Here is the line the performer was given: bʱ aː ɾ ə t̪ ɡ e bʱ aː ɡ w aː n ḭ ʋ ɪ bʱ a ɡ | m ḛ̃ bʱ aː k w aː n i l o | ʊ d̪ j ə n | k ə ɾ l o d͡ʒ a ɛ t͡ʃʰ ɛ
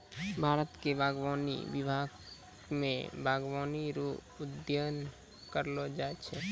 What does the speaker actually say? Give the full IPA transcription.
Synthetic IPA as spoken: bʱ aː ɾ ə t̪ k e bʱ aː ɡ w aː n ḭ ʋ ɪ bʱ a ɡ | m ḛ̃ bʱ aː ɡ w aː n i ɾ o | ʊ d̪ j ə n | k ə ɾ l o d͡ʒ a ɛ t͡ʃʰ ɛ